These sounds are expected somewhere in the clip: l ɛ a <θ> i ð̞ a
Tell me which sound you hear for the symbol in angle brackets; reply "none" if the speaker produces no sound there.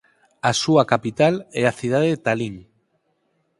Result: θ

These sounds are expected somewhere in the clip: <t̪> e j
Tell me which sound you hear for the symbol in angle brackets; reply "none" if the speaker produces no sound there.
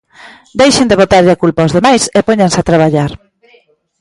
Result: d̪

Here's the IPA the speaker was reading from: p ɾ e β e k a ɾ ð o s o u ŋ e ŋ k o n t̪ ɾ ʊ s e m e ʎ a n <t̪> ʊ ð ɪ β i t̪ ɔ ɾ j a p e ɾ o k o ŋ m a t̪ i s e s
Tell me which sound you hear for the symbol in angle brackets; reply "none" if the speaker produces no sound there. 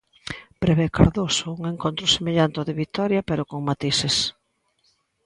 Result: t̪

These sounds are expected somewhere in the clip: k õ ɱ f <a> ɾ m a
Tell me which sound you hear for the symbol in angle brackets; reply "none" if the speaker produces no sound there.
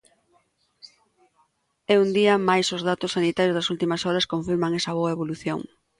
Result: i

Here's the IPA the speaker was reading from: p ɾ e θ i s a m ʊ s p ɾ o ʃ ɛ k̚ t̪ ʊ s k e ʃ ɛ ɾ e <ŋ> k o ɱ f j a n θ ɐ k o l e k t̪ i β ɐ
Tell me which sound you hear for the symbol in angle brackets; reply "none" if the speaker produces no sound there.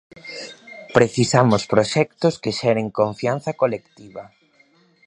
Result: ŋ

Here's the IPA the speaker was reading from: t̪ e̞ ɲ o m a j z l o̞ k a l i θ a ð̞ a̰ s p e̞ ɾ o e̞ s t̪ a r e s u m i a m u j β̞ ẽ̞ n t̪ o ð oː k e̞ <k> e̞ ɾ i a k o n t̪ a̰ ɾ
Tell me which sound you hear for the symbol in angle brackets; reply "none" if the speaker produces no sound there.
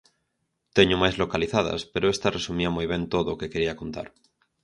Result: k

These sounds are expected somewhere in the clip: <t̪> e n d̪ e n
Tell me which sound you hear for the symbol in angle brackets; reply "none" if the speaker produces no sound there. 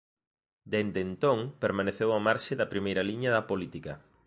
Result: d̪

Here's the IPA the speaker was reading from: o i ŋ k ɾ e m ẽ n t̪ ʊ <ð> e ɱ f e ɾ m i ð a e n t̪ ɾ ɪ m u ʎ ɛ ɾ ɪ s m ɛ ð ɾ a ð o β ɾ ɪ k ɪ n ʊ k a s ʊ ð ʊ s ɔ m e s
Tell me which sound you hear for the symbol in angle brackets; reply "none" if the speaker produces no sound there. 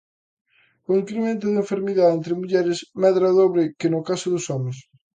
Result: ð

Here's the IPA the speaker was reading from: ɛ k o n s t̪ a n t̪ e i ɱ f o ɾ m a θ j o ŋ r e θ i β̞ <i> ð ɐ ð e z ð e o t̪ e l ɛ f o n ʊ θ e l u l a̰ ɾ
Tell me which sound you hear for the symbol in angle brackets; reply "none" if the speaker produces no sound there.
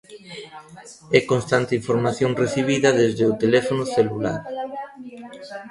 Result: i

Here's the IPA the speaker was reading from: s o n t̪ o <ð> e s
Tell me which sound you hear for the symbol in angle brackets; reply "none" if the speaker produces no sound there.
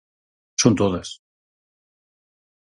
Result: ð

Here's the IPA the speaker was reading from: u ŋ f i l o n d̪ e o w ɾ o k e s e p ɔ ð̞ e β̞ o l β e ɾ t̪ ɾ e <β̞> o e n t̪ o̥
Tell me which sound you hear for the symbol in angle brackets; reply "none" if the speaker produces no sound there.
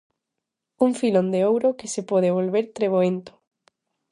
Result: β̞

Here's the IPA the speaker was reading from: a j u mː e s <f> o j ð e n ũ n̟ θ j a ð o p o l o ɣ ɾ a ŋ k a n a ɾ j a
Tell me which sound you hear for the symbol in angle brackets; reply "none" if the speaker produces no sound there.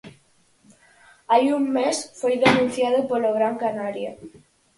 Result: f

